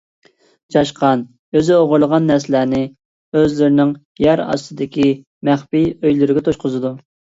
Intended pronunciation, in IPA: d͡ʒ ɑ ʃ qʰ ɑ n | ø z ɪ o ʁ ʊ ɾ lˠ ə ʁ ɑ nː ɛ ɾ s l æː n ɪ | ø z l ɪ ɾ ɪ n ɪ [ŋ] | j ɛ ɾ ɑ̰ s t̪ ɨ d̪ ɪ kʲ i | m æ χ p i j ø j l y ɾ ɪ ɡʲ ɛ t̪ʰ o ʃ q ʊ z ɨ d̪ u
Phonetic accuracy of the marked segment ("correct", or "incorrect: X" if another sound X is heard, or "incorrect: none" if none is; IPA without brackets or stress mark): correct